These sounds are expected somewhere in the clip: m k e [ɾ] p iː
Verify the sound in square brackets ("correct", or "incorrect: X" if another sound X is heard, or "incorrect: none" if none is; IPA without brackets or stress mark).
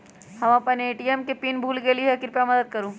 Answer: incorrect: none